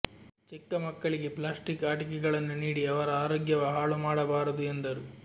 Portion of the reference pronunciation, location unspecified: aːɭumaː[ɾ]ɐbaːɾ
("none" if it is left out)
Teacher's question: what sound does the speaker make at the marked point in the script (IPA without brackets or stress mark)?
ɽ